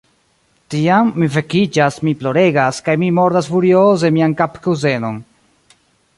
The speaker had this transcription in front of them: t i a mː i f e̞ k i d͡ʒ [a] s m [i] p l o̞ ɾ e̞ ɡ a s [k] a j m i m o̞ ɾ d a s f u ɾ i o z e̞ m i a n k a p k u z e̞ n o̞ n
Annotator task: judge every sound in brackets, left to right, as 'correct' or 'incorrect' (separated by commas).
correct, correct, correct